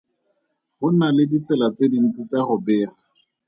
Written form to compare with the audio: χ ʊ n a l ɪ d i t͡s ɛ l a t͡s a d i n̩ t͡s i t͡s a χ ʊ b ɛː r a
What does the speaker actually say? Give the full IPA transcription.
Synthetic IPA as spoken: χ ʊ n a l ɪ d i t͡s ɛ l a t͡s e d i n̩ t͡s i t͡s a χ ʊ b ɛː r a